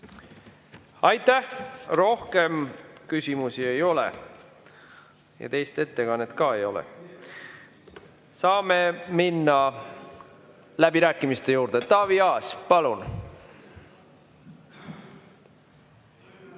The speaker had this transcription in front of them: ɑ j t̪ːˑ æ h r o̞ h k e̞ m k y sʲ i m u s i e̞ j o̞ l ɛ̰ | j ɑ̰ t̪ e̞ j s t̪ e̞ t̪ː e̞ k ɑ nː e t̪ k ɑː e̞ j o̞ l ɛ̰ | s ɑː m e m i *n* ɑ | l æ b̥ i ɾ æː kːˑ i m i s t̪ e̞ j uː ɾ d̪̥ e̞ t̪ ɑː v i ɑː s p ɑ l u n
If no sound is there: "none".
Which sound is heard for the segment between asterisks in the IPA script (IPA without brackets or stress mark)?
nː